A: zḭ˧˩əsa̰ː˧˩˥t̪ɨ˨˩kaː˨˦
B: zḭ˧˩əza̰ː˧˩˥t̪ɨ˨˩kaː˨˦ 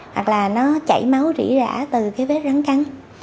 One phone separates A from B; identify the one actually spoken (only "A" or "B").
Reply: B